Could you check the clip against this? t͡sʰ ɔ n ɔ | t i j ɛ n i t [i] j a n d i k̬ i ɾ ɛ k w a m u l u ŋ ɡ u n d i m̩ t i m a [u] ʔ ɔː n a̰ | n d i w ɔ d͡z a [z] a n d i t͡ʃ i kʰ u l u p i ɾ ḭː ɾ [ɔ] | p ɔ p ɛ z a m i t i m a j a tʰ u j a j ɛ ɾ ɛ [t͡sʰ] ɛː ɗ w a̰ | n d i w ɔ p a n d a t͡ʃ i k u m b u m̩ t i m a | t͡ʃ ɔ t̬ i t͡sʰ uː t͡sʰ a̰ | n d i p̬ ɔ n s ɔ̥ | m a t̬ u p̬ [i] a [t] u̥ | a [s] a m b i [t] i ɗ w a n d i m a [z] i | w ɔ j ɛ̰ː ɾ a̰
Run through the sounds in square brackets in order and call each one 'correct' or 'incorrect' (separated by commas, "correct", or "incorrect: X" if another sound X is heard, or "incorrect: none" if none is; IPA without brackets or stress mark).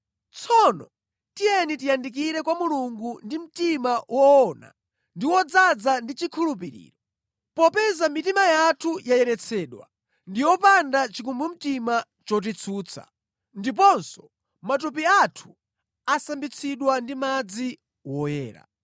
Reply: correct, incorrect: w, incorrect: d͡z, correct, correct, correct, incorrect: tʰ, correct, incorrect: t͡sʰ, incorrect: d͡z